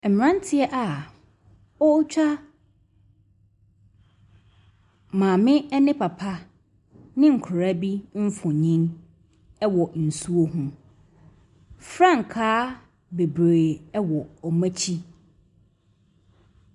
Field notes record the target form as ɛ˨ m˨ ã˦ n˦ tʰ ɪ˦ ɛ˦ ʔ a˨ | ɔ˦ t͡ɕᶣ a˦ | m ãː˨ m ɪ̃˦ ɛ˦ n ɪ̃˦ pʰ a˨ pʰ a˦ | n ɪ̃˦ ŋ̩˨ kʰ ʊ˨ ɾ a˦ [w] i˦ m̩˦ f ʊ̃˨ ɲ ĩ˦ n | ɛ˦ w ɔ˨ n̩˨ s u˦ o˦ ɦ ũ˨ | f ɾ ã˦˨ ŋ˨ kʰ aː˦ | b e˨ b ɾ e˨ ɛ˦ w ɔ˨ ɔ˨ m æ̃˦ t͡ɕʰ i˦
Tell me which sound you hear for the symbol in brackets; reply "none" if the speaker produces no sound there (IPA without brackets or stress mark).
b